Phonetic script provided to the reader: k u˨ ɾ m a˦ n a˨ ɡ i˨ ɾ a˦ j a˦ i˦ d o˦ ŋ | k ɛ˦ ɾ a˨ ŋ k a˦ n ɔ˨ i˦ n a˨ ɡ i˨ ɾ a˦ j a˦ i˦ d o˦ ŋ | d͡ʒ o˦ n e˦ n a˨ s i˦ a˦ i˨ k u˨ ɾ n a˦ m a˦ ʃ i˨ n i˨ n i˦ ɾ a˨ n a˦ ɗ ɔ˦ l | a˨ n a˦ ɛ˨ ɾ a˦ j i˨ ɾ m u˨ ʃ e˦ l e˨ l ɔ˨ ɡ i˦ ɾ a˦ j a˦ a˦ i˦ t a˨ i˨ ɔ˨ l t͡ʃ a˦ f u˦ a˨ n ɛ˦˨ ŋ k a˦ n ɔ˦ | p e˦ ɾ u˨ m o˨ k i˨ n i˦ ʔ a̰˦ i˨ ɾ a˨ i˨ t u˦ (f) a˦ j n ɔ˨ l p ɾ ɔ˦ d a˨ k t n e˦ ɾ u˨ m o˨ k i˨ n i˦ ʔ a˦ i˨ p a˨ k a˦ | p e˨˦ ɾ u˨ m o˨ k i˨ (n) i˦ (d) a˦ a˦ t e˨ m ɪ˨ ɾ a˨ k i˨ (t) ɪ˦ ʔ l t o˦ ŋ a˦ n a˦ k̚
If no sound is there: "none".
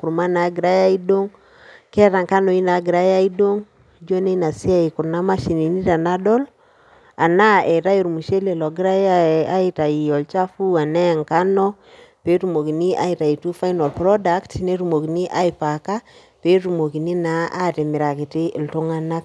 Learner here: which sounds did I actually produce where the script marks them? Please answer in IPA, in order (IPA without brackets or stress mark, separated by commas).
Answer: f, n, n, t